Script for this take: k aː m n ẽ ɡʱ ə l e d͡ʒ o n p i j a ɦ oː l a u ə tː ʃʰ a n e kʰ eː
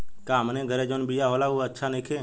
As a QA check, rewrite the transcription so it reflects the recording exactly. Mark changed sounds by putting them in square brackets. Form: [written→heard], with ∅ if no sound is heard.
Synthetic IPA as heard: k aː m n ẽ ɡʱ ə [l→ɾ] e d͡ʒ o n [p→b] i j a ɦ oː l a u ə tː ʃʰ a n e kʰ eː